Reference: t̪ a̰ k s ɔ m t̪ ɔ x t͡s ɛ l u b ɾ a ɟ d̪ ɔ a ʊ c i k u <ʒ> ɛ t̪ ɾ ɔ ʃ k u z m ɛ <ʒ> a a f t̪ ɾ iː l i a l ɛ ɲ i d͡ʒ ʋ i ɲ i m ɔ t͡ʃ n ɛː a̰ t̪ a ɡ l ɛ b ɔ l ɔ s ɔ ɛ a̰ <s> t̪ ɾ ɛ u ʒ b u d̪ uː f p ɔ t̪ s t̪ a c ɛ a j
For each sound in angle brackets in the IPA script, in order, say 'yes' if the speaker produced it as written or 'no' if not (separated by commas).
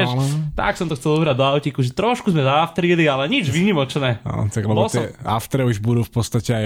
yes, no, no